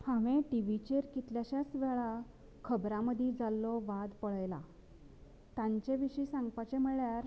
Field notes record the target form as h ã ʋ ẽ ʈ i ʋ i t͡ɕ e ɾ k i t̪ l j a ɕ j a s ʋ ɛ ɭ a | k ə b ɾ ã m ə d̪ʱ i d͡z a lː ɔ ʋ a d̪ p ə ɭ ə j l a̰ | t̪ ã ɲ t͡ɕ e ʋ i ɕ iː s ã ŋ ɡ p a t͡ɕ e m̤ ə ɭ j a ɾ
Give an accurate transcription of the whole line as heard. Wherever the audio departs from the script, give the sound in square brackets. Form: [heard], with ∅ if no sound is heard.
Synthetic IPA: h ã ʋ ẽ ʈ i ʋ i t͡ɕ e ɾ k i t̪ l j a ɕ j a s ʋ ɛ ɭ a | [kʰ] ə b ɾ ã m ə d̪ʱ i d͡z a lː ɔ ʋ a d̪ p ə ɭ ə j l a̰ | t̪ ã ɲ t͡ɕ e ʋ i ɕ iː s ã ŋ ɡ p a t͡ɕ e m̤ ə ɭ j a ɾ